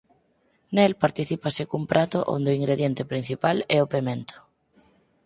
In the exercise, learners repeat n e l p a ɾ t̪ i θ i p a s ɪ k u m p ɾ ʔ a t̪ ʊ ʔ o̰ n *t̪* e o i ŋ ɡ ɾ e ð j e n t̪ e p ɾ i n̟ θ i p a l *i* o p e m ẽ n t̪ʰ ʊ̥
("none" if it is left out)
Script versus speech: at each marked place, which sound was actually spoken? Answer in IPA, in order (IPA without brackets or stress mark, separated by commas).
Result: d̪, ɛ